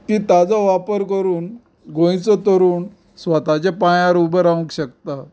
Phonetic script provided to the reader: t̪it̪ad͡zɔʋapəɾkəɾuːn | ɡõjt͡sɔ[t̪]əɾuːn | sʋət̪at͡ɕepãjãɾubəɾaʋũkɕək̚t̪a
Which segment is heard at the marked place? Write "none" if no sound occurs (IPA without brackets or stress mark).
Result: t̪